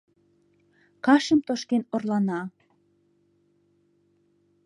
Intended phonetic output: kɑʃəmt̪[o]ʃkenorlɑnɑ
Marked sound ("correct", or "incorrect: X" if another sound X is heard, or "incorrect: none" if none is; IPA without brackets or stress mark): correct